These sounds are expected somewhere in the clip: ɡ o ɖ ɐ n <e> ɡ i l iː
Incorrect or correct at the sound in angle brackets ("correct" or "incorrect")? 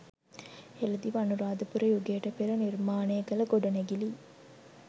correct